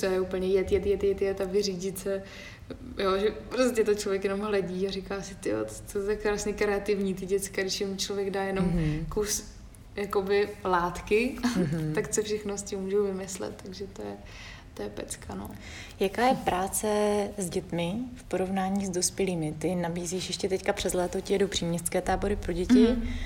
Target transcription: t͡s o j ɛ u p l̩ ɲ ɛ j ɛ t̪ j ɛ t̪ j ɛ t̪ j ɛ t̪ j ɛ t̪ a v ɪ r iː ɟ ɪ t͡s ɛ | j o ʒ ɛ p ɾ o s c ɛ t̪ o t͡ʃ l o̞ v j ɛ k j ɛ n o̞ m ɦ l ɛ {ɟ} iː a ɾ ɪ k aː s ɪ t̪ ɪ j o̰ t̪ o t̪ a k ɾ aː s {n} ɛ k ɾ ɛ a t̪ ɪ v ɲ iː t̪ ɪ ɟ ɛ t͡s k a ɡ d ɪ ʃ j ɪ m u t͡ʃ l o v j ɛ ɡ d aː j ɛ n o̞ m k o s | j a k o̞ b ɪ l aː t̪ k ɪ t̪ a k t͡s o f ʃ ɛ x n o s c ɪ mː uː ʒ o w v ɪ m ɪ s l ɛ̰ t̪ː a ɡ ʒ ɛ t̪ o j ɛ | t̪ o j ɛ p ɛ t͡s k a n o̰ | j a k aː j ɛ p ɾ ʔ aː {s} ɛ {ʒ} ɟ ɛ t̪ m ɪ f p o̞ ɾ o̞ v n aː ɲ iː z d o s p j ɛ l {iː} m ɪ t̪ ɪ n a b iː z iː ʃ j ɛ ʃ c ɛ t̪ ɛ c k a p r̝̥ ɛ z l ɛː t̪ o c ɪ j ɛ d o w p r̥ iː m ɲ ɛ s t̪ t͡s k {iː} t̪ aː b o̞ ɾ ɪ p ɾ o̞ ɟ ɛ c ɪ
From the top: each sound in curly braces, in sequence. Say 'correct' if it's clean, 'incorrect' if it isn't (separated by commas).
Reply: correct, incorrect, incorrect, incorrect, correct, incorrect